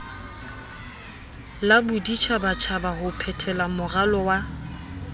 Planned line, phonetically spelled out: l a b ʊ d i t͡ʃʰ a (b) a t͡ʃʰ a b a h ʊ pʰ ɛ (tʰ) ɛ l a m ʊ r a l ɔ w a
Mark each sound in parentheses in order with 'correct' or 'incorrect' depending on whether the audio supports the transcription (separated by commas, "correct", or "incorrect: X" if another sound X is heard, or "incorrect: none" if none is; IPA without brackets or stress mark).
correct, correct